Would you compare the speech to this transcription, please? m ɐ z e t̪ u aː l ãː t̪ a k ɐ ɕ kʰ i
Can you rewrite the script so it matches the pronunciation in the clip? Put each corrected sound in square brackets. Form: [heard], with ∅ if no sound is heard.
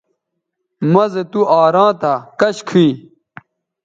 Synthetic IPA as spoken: m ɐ z e t̪ u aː [ɾ] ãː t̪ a k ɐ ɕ kʰ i